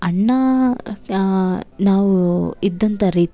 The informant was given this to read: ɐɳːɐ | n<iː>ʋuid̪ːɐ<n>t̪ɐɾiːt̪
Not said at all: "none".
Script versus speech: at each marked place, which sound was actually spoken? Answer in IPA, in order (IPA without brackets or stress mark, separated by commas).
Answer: aː, n